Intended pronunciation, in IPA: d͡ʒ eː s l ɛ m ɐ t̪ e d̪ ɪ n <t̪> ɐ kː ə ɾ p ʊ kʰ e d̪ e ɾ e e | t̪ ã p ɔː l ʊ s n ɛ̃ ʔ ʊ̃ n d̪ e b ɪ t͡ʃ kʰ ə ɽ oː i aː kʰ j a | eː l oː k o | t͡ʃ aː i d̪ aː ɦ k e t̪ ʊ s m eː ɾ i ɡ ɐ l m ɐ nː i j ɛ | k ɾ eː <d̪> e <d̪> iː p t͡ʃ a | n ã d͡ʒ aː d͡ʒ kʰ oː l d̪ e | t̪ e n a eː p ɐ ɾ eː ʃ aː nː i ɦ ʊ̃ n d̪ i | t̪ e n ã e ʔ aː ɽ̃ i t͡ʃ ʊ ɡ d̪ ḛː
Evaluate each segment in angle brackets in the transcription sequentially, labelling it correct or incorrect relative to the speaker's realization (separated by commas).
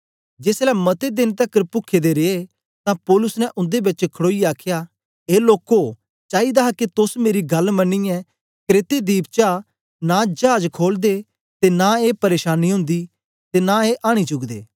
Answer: correct, incorrect, correct